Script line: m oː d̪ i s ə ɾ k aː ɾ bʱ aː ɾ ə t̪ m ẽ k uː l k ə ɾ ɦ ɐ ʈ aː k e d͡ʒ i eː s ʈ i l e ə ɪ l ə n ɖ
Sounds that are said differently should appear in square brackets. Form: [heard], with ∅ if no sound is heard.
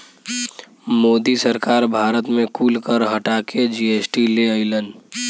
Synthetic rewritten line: m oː d̪ i s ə ɾ k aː ɾ bʱ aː ɾ ə t̪ m ẽ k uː l k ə ɾ ɦ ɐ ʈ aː k e d͡ʒ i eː s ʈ i l e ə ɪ l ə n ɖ